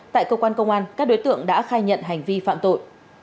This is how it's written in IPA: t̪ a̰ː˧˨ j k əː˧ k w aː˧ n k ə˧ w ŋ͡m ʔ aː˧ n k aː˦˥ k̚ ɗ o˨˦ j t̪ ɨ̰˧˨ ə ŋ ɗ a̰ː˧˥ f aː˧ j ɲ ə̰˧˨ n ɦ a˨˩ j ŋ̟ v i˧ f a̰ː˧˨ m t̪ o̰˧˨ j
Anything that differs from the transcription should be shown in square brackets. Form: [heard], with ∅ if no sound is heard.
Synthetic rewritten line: t̪ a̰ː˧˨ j k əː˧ k w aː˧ n k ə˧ w ŋ͡m ʔ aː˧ n k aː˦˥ k̚ ɗ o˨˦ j t̪ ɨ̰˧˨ ə ŋ ɗ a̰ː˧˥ [x] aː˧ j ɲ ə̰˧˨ n ɦ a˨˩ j ŋ̟ v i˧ f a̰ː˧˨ m t̪ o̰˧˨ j